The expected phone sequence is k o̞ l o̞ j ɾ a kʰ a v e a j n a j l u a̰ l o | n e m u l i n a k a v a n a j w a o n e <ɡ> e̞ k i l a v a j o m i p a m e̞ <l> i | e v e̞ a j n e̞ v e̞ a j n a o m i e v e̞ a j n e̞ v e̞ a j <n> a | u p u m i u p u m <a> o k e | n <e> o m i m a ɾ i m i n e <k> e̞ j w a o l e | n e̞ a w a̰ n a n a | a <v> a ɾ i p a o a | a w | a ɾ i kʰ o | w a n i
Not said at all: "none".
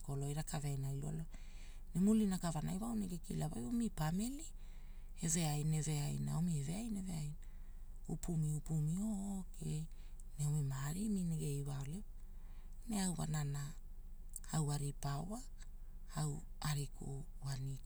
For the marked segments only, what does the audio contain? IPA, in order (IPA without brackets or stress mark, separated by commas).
ɡ, l, n, i, e, ɡ, w